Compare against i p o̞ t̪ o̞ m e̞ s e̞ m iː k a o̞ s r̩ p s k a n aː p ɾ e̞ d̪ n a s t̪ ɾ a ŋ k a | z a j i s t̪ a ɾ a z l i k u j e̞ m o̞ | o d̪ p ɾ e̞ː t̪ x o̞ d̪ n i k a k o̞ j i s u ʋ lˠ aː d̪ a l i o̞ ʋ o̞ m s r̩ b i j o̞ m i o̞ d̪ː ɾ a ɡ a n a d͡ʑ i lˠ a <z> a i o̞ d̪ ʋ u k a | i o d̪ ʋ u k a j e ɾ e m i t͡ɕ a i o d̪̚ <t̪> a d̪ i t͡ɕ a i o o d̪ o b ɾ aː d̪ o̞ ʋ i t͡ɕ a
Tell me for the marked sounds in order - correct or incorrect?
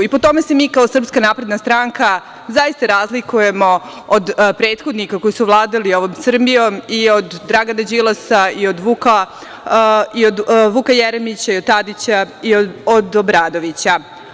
incorrect: s, correct

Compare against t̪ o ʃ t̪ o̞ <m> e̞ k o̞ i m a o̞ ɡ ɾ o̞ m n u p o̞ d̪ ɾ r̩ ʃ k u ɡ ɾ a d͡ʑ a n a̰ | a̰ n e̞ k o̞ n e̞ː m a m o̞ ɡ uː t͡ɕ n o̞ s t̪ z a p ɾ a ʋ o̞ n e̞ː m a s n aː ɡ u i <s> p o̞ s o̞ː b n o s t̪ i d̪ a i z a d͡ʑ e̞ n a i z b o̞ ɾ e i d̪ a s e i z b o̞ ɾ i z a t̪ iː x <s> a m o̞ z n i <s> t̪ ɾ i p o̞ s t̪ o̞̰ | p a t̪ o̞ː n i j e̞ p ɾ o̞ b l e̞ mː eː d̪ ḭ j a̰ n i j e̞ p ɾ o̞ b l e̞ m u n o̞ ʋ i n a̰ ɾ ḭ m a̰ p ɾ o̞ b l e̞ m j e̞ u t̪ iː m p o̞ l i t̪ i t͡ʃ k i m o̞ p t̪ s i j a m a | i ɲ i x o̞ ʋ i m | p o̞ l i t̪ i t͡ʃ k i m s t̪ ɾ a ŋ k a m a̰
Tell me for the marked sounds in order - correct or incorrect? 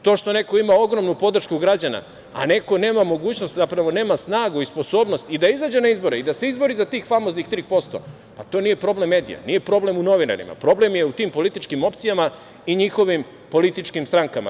incorrect: n, correct, incorrect: f, incorrect: x

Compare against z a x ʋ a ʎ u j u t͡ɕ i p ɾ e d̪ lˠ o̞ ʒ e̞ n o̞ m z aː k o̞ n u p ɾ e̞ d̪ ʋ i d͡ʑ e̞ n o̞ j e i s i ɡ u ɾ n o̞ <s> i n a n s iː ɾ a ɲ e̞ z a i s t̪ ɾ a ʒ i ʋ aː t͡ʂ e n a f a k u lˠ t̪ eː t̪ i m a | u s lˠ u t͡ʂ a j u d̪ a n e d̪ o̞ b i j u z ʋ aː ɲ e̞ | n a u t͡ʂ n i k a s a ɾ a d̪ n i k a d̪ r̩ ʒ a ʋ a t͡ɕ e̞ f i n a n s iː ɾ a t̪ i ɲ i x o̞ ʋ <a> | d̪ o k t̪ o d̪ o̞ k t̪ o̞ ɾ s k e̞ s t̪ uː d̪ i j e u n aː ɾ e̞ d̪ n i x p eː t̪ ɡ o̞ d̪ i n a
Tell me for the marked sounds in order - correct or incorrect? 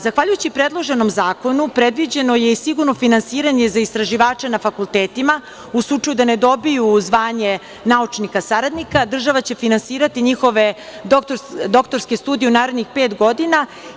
incorrect: f, incorrect: e

